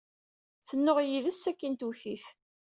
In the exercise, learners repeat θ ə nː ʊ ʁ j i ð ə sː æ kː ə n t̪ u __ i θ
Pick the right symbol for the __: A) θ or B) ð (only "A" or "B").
A